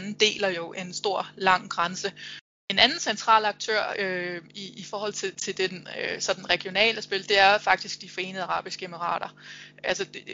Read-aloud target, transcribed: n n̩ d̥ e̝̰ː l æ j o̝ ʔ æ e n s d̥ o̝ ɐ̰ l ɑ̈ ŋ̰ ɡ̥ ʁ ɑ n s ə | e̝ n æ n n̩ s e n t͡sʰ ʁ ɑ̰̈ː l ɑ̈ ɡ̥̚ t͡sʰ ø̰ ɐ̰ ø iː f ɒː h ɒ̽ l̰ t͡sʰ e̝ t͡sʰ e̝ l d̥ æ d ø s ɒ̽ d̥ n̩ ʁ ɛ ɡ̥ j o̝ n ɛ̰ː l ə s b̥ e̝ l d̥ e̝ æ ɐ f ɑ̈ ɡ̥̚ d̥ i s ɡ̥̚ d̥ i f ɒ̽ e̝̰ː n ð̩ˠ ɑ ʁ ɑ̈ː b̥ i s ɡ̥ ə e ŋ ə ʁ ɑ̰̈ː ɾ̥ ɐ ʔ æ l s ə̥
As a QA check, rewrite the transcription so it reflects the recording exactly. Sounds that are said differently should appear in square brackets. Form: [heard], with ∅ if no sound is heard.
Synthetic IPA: n n̩ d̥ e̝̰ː l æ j o̝ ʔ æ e n s d̥ o̝ ɐ̰ l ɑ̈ ŋ̰ ɡ̥ ʁ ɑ n s ə | e̝ n æ n n̩ s e n t͡sʰ ʁ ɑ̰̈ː l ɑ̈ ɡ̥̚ t͡sʰ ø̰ ɐ̰ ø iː f ɒː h ɒ̽ l̰ t͡sʰ e̝ t͡sʰ e̝ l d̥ [e] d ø s ɒ̽ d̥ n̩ ʁ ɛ ɡ̥ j o̝ n ɛ̰ː l ə s b̥ e̝ l d̥ e̝ æ ɐ f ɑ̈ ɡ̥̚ d̥ i s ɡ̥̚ d̥ i f ɒ̽ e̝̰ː n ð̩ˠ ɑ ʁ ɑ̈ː b̥ i s ɡ̥ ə e [m] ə ʁ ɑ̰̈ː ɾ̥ ɐ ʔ æ l s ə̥